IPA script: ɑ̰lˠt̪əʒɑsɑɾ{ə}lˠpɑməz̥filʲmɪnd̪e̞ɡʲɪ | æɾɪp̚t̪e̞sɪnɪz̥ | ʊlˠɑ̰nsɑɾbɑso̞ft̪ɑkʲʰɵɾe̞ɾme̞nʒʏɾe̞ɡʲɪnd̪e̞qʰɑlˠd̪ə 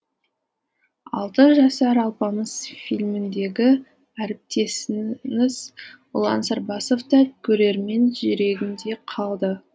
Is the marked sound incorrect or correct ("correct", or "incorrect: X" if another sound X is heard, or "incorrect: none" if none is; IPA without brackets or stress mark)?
incorrect: ɑ